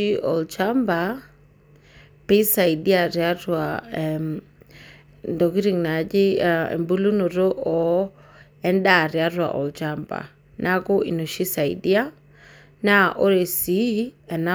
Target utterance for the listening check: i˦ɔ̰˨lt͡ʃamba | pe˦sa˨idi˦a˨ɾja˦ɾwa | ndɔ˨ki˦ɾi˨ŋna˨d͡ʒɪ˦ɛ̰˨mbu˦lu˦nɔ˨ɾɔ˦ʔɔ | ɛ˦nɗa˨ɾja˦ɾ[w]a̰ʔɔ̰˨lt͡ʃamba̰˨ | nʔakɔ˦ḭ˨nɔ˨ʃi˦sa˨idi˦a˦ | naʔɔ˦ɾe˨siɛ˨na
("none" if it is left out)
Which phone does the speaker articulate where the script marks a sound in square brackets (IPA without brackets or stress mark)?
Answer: w